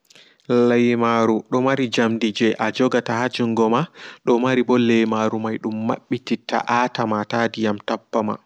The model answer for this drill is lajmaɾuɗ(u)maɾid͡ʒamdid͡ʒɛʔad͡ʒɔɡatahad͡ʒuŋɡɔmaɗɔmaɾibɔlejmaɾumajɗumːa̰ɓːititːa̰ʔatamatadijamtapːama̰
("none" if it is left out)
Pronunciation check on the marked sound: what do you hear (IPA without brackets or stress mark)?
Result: ɔ